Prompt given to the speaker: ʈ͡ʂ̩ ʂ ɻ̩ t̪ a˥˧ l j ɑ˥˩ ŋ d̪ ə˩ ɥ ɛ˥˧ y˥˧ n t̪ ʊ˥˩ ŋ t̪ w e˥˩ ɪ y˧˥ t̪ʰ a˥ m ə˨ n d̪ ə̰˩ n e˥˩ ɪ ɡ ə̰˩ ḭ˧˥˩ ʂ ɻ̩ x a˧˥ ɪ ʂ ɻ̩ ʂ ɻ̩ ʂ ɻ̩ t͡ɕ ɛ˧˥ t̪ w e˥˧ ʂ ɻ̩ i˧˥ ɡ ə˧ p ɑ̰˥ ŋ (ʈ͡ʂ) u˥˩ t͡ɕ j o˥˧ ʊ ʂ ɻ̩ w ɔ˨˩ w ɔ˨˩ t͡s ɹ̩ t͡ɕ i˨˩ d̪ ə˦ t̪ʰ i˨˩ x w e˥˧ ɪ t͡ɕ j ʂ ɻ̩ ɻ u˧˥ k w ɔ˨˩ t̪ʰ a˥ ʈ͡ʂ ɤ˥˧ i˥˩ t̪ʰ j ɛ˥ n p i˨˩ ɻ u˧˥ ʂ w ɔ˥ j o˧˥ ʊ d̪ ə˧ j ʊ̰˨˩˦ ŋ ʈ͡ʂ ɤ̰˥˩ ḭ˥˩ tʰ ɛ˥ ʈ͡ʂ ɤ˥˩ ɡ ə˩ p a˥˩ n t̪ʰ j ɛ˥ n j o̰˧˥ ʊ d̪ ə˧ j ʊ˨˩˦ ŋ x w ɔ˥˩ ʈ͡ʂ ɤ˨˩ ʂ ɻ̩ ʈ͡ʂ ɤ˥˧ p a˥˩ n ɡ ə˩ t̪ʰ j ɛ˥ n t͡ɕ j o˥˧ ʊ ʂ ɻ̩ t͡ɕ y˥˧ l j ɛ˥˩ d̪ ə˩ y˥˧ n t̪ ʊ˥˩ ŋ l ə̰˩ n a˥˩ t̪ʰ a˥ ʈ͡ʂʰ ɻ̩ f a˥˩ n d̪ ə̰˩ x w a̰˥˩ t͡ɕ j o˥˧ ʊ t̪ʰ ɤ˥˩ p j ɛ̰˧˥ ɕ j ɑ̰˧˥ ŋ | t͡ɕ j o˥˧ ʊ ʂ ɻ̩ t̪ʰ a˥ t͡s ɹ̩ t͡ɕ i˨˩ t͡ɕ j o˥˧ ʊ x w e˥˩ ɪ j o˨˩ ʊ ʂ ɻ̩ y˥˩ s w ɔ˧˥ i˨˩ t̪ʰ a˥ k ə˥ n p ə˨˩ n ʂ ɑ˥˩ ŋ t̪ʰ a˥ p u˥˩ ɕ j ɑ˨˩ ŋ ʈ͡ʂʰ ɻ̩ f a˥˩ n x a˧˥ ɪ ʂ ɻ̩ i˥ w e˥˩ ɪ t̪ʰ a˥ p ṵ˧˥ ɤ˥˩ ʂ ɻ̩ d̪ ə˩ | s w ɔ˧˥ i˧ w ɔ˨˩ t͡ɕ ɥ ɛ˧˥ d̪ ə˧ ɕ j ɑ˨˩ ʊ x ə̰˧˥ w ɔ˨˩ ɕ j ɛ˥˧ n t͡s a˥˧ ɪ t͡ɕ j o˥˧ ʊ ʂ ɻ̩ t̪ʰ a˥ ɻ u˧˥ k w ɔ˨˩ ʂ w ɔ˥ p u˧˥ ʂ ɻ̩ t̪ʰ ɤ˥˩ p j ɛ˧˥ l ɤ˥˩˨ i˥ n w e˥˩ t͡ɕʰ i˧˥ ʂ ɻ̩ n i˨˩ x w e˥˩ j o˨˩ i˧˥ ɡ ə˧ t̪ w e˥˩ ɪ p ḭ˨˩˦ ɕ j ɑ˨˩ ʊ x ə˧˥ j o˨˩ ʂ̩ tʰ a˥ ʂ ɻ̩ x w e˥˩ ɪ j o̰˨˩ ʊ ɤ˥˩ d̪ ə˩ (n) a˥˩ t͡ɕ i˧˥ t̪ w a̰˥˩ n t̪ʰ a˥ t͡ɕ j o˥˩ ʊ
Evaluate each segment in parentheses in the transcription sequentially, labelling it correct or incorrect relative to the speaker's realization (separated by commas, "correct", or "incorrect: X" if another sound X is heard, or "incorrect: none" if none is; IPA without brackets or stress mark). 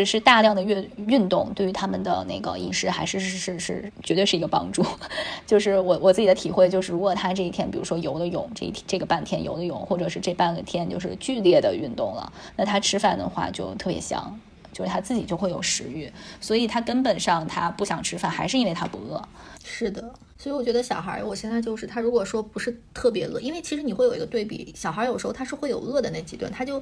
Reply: correct, correct